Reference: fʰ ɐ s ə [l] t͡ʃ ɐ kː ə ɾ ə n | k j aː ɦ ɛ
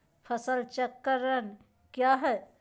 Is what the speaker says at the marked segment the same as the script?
yes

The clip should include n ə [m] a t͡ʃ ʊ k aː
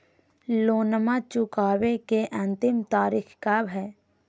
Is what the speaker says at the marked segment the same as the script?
yes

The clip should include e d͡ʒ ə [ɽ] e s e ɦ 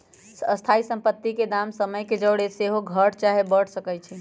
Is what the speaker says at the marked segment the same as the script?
yes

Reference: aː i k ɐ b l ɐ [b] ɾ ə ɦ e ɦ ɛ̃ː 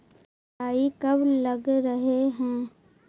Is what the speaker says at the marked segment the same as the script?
no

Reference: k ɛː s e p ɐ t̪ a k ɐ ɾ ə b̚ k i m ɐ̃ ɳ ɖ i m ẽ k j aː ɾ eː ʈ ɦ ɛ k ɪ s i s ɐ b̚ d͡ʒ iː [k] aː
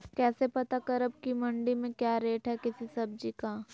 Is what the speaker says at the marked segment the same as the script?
yes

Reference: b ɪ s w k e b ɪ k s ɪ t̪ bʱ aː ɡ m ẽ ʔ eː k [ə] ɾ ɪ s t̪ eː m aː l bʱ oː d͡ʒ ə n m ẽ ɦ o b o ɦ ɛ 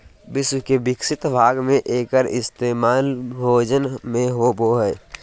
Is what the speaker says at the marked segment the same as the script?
yes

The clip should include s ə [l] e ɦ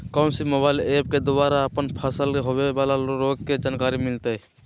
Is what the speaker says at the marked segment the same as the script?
yes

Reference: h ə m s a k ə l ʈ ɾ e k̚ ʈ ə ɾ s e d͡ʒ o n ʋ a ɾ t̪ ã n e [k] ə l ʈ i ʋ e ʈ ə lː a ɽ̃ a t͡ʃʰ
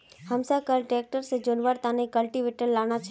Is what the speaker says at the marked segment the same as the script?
yes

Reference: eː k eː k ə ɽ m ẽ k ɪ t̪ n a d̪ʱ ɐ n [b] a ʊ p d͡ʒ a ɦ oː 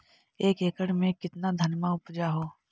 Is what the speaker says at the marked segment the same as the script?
no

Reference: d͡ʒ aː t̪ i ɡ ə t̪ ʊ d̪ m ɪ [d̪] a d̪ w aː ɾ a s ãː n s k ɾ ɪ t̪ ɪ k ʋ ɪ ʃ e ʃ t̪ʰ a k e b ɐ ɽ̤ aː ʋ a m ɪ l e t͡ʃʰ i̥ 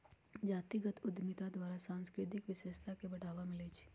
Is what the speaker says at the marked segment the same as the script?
no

